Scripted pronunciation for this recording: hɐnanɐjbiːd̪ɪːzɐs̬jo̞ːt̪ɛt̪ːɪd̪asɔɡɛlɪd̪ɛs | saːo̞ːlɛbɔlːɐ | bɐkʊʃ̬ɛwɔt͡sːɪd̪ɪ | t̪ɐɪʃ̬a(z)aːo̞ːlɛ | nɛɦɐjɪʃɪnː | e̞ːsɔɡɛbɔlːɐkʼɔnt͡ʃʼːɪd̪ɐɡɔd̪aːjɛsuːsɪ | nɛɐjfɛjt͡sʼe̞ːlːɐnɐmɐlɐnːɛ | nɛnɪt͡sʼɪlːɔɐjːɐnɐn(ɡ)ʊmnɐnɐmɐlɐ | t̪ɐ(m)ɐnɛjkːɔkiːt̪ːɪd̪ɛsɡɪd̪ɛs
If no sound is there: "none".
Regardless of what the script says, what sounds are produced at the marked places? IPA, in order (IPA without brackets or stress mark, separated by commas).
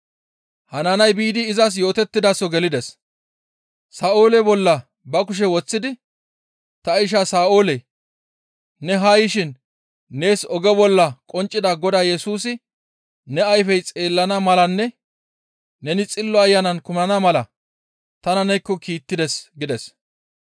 s, k, n